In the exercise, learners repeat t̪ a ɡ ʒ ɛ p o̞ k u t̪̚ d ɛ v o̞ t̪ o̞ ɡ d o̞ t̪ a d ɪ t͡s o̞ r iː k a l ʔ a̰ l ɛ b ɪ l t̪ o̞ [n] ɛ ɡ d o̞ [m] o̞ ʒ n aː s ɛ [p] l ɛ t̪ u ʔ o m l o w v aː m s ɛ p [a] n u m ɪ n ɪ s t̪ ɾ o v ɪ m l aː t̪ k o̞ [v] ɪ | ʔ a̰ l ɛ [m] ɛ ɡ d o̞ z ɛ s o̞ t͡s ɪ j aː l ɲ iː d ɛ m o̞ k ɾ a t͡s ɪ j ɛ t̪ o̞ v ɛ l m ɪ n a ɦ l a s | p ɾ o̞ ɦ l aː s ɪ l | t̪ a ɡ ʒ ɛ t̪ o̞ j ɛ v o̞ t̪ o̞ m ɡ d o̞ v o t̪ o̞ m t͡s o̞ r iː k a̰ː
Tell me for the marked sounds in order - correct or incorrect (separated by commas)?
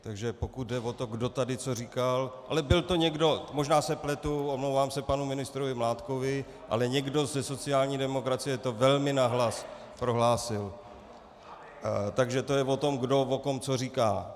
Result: incorrect, correct, correct, correct, correct, incorrect